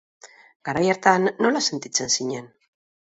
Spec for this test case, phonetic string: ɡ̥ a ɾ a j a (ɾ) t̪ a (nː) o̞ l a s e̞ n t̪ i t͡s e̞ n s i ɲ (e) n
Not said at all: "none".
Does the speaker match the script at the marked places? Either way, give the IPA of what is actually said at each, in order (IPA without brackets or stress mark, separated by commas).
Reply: ɾ, nː, e